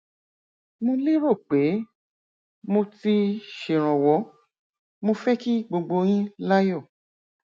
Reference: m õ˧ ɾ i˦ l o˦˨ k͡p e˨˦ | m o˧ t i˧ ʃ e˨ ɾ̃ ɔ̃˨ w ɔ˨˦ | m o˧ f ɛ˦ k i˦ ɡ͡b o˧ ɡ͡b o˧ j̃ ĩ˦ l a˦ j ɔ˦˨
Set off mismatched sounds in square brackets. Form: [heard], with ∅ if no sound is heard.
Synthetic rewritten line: m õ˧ [l] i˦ [ɾ] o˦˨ k͡p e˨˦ | m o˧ t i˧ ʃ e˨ ɾ̃ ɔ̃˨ w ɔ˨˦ | m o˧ f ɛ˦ k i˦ ɡ͡b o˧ ɡ͡b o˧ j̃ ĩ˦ l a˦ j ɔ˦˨